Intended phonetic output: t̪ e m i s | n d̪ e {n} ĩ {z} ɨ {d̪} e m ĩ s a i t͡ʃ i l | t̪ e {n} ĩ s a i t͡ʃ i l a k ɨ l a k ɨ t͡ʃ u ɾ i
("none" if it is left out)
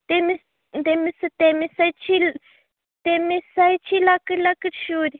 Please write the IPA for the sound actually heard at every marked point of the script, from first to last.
m, s, t̪, m

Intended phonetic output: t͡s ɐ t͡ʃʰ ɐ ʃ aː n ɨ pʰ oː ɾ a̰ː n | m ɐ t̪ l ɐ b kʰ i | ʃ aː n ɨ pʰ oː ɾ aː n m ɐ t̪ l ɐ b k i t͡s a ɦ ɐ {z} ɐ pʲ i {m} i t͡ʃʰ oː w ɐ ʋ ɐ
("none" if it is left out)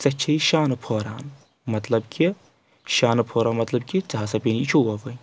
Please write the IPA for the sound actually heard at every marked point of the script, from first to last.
s, n

